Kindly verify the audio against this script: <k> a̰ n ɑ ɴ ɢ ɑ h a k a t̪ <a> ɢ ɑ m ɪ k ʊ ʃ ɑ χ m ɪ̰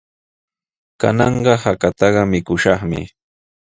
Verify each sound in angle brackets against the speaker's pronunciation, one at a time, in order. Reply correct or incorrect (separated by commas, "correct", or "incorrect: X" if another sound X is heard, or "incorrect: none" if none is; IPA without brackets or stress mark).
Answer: correct, incorrect: ɑ